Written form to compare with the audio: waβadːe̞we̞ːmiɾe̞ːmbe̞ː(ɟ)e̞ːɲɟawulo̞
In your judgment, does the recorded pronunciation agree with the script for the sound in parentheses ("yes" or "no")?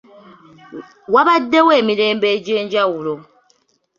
yes